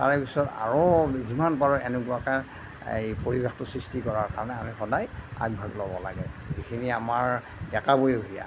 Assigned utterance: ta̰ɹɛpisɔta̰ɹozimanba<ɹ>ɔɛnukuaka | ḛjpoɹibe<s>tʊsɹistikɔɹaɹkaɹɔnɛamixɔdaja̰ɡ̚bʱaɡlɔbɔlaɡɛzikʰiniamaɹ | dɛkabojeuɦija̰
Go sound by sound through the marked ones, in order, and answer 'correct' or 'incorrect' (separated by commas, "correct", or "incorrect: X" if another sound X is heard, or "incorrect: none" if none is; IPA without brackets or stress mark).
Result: correct, incorrect: x